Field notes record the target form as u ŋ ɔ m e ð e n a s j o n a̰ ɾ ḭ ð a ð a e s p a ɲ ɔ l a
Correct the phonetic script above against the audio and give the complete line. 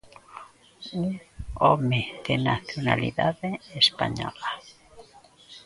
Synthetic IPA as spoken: u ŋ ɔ m e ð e n a θ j o n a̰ l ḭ ð a ð e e s p a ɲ ɔ l a